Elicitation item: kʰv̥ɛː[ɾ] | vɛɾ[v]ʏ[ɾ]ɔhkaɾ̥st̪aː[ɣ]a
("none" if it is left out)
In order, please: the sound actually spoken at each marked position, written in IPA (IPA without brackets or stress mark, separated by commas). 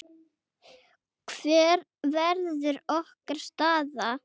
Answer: ɾ, ð, ɾ, ð